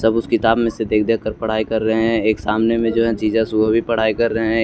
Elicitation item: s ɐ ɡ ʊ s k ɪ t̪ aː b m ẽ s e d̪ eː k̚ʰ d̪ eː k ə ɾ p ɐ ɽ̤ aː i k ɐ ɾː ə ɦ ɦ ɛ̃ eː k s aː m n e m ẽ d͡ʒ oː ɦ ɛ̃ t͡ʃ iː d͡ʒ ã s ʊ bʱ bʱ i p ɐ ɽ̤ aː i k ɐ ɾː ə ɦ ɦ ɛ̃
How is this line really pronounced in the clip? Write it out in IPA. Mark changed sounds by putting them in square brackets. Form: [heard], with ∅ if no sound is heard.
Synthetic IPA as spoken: s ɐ [b] ʊ s k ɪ t̪ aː b m ẽ s e d̪ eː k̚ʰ d̪ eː k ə ɾ p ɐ ɽ̤ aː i k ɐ ɾː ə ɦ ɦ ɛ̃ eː k s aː m n e m ẽ d͡ʒ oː ɦ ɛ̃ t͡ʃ iː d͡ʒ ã s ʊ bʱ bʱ i p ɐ ɽ̤ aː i k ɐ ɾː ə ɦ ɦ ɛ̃